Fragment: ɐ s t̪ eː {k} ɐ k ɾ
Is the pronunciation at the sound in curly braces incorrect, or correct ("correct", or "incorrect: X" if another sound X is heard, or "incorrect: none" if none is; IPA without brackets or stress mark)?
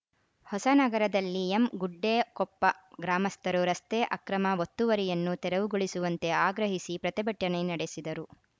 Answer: incorrect: ʔ